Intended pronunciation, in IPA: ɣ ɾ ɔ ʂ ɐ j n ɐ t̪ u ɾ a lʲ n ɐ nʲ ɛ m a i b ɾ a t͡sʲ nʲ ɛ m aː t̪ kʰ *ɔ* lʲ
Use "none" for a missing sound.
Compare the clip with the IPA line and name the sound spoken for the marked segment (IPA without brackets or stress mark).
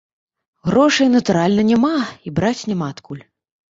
u